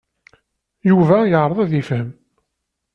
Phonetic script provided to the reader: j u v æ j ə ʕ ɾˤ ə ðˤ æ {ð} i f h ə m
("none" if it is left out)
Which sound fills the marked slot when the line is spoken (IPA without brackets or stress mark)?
ð